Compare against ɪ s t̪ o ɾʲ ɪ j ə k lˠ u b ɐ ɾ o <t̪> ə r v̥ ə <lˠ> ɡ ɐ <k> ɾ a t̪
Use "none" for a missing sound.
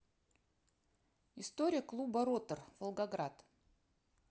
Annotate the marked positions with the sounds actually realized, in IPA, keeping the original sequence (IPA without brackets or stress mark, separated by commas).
t̪, lˠ, ɡ